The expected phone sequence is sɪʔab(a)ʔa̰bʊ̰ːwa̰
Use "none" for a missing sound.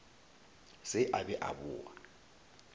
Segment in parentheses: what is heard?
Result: ɛ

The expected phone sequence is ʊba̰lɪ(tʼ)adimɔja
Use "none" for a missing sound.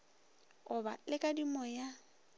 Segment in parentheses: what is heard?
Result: kʼ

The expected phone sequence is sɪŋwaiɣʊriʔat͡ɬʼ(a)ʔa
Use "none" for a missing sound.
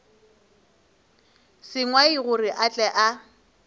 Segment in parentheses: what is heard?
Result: ɛ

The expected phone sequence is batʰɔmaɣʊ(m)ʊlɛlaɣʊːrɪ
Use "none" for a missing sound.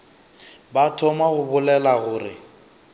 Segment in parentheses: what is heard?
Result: b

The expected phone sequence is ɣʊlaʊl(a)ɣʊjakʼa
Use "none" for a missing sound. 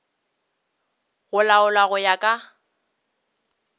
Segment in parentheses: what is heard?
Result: a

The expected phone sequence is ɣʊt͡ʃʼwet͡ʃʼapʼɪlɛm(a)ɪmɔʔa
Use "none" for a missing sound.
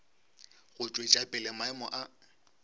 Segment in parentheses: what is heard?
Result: a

